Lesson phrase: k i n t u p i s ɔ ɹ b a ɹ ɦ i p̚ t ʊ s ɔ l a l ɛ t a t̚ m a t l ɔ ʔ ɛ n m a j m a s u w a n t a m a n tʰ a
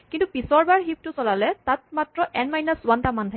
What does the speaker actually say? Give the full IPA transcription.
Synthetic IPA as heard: k i n t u p i s ɔ ɹ b a ɹ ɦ i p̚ t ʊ s ɔ l a l ɛ t a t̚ m a t ɹ ɔ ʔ ɛ n m a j n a s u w a n t a m a n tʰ a